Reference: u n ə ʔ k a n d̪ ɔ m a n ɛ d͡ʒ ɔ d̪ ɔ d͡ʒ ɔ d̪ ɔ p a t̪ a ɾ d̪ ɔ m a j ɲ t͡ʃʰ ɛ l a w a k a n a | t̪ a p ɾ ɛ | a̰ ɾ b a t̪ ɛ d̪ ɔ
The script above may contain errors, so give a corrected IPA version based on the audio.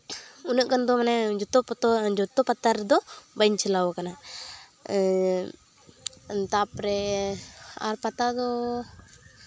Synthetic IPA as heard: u n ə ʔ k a n d̪ ɔ m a n ɛ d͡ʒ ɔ t̪ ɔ d͡ʒ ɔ t̪ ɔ p a t̪ a ɾ d̪ ɔ b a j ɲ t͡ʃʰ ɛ l a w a k a n a | t̪ a p ɾ ɛ | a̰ ɾ p a t̪ a d̪ ɔ